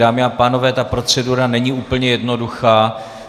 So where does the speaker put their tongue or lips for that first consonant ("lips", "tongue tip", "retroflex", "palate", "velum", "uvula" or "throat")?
lips